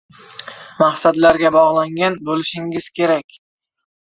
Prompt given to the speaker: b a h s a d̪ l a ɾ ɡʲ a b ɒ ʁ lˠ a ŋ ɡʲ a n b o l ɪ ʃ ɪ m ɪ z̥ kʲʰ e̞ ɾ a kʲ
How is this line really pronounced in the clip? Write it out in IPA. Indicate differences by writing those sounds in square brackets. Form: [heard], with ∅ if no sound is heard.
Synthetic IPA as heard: [m] a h s a d̪ l a ɾ ɡʲ a b ɒ ʁ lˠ a ŋ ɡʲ a n b o l ɪ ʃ ɪ [ŋ] ɪ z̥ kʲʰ e̞ ɾ a kʲ

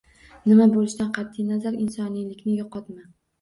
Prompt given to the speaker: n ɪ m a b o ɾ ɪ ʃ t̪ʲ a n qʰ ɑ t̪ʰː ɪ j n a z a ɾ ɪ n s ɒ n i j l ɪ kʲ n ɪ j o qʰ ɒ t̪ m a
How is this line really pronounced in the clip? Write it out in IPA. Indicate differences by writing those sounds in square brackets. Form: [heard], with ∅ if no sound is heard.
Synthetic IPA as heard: n ɪ m a b o [l] ɪ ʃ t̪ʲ a n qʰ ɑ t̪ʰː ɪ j n a z a ɾ ɪ n s ɒ n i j l ɪ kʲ n ɪ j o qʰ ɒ t̪ m a

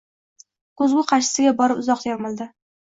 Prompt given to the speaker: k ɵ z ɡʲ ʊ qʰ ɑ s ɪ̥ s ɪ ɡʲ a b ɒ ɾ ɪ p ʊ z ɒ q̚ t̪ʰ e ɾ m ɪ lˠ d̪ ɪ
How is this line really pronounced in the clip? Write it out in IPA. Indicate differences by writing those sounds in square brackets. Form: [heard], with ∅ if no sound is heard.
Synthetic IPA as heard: k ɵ z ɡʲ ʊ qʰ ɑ [ʃ] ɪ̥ s ɪ ɡʲ a b ɒ ɾ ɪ p ʊ z ɒ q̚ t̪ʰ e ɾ m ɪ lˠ d̪ ɪ

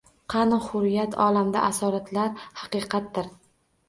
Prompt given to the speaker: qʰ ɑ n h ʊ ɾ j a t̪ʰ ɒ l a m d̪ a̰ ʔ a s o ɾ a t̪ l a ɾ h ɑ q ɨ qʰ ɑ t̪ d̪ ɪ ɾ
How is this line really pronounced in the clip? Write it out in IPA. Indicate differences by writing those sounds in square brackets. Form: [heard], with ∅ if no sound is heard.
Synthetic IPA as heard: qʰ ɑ n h ʊ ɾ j a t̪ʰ ɒ l a m d̪ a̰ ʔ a s [ɒ] ɾ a t̪ l a ɾ h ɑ q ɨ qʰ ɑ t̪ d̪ ɪ ɾ

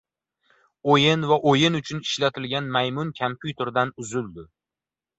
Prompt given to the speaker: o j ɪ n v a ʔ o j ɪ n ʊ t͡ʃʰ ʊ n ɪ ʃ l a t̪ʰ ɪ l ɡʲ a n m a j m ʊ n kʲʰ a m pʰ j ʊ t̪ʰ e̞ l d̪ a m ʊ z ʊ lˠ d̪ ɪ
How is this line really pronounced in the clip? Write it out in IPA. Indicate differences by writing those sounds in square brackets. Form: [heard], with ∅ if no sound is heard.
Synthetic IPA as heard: o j ɪ n v a ʔ o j ɪ n ʊ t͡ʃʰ ʊ n ɪ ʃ l a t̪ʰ ɪ l ɡʲ a n m a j m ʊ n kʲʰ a m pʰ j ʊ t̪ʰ e̞ [ɾ] d̪ a [n] ʊ z ʊ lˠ d̪ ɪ

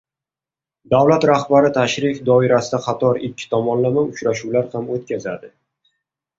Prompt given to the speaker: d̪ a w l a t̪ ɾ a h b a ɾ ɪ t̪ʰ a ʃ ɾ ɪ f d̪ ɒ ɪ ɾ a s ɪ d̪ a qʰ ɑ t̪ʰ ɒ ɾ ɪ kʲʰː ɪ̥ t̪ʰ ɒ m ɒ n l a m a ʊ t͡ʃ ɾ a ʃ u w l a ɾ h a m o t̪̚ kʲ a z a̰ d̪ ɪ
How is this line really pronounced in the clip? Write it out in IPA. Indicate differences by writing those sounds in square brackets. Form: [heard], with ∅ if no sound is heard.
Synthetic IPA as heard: d̪ a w l a t̪ ɾ a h b a ɾ ɪ t̪ʰ a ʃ ɾ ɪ f d̪ ɒ ɪ ɾ a s ɪ d̪ a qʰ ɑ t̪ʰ ɒ ɾ ɪ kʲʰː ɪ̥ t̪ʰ ɒ m ɒ n l a m a ʊ t͡ʃ ɾ a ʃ u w l a ɾ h a m o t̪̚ kʲ a z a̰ d̪ ɪ

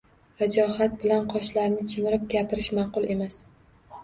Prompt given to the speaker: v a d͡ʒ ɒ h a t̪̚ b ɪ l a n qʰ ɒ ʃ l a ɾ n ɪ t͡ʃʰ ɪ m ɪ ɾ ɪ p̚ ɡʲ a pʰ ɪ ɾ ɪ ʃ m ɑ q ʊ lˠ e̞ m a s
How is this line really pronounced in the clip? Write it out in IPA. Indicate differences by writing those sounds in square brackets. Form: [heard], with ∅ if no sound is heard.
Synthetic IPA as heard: v a d͡ʒ ɒ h a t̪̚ b ɪ l a n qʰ ɒ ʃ l a ɾ n ɪ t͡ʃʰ ɪ m ɪ ɾ ɪ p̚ ɡʲ a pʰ ɪ ɾ ɪ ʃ m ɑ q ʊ lˠ e̞ m a s

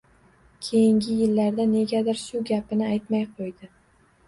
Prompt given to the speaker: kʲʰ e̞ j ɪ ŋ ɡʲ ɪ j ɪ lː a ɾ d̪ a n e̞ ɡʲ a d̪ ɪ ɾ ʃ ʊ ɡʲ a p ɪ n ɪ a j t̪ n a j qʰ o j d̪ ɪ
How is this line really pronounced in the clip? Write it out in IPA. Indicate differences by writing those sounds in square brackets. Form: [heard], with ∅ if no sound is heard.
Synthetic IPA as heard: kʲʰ e̞ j ɪ ŋ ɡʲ ɪ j ɪ lː a ɾ d̪ a n e̞ ɡʲ a d̪ ɪ ɾ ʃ ʊ ɡʲ a p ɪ n ɪ a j t̪ [m] a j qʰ o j d̪ ɪ

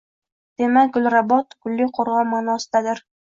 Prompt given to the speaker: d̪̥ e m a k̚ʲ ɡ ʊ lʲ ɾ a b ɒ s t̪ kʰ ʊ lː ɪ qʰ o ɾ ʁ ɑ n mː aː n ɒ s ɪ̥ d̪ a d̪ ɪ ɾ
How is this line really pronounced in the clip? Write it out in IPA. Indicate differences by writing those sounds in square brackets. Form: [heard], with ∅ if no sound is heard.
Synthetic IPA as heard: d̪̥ e m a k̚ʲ ɡ ʊ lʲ ɾ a b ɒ [∅] t̪ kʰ ʊ lː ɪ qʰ o ɾ ʁ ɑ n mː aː n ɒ s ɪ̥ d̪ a d̪ ɪ ɾ

